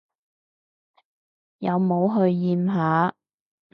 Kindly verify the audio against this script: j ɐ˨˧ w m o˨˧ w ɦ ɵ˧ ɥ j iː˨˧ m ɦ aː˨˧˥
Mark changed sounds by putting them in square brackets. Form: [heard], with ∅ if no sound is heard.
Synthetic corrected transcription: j ɐ˨˧ w m o˨˧ w ɦ ɵ˧ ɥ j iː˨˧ m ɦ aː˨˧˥